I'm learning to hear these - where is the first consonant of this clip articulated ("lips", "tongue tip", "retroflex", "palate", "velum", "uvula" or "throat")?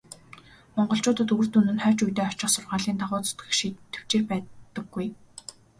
lips